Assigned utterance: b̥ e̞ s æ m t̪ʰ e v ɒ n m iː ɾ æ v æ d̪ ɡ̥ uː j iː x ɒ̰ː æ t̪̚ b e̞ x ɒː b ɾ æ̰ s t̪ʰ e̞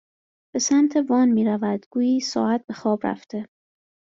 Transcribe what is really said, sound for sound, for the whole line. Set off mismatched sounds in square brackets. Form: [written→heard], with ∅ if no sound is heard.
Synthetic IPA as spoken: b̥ e̞ s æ m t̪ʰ e v [ɒ→ɒː] n m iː ɾ æ v æ d̪ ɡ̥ uː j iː [x→s] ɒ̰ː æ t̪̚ b e̞ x ɒː b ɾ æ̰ [s→f] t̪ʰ e̞